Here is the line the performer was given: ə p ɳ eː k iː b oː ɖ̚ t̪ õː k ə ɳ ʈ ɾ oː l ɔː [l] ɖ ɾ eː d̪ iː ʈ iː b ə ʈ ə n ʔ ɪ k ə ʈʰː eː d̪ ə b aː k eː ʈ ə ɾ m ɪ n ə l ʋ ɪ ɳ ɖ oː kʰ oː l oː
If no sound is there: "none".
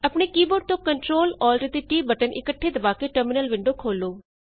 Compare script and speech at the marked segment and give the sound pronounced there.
l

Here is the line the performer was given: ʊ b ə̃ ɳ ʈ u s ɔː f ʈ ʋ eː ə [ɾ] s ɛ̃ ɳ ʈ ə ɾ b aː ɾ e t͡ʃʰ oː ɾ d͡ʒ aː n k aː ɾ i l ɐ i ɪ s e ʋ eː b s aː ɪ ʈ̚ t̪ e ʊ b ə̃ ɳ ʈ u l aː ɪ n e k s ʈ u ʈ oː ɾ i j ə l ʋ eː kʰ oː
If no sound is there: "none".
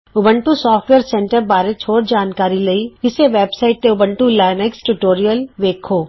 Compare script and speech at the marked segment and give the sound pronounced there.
ɾ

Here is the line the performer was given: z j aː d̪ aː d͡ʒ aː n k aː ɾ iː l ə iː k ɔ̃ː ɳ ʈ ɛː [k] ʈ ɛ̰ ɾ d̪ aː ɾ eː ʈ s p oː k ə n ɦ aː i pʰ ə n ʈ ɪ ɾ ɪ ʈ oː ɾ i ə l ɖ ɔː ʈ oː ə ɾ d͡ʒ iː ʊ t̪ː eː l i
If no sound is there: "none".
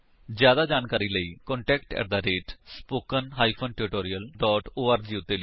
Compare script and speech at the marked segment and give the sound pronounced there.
k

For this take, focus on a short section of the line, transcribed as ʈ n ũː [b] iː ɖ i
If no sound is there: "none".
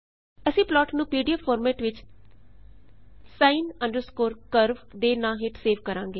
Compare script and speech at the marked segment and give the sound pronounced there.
p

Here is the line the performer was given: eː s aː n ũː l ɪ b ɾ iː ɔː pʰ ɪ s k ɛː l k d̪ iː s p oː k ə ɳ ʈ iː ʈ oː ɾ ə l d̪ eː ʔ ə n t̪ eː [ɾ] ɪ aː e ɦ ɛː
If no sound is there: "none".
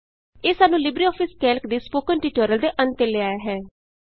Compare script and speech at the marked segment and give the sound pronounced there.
l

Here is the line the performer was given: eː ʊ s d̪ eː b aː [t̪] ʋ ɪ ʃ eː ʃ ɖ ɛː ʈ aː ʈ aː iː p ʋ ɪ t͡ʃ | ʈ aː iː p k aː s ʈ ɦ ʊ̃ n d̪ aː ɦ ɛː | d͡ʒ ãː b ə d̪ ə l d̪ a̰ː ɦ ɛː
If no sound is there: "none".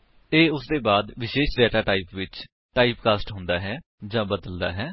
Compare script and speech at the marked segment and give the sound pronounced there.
d̪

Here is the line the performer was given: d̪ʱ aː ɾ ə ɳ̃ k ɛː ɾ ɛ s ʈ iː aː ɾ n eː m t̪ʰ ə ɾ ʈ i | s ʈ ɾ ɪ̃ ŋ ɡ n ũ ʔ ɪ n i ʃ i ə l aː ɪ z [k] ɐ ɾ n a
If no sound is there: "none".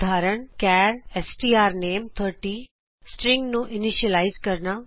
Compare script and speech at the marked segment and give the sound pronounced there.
k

